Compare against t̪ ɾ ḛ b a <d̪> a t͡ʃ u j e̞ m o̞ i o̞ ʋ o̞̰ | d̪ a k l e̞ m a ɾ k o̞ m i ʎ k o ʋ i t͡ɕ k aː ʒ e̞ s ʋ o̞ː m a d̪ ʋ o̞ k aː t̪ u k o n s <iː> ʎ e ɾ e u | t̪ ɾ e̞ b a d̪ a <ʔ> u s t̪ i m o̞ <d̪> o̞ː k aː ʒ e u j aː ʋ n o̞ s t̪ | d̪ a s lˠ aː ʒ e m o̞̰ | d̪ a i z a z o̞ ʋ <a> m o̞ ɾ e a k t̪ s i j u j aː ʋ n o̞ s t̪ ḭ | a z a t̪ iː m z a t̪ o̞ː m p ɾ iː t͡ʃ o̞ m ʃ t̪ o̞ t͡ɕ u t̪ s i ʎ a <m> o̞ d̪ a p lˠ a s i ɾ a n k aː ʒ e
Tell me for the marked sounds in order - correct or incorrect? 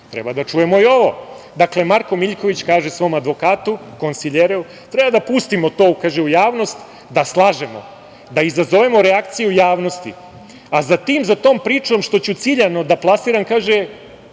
correct, incorrect: i, incorrect: p, incorrect: t̪, incorrect: e, incorrect: n

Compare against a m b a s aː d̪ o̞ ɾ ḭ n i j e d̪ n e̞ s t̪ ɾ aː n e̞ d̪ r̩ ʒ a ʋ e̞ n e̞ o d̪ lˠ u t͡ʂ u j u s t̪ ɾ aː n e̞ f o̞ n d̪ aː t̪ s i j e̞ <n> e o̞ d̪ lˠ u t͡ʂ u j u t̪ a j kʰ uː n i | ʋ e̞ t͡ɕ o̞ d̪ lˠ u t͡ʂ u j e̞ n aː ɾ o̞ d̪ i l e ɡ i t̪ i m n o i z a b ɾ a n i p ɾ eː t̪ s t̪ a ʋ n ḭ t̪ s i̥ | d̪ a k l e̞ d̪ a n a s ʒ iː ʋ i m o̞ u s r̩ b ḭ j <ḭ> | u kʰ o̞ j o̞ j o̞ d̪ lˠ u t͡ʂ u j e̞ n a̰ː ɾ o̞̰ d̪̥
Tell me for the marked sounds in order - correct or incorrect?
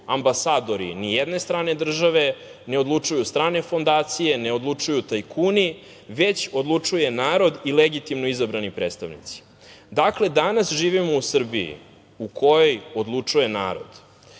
correct, correct

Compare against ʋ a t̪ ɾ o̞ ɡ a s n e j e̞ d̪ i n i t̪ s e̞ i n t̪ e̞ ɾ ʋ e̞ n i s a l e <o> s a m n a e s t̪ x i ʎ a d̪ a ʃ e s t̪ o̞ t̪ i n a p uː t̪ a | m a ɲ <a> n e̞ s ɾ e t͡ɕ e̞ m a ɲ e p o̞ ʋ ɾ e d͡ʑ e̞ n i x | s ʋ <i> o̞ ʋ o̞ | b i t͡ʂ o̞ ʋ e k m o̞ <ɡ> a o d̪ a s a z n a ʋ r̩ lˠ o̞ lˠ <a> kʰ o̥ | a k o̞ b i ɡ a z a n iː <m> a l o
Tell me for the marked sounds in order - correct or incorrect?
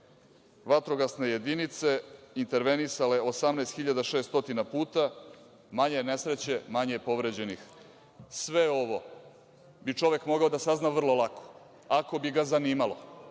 correct, incorrect: e, incorrect: e, correct, correct, correct

